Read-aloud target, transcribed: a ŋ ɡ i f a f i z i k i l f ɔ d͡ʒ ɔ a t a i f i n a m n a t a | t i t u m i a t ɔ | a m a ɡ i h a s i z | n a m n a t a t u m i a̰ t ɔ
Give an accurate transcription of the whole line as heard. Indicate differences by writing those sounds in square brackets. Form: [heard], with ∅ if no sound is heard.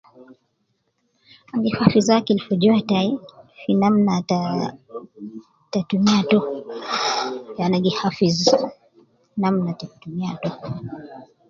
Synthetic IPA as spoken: a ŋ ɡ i f a f i z [a] k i l f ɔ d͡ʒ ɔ a t a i f i n a m n a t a | t [a] t u m i a t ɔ | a [n] a ɡ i h a [f] i z | n a m n a t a t u m i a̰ t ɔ